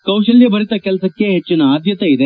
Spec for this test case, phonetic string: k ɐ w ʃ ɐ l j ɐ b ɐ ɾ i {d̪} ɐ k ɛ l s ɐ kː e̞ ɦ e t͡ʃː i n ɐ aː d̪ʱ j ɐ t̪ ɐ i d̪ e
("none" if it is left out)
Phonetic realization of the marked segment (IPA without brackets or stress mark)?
t̪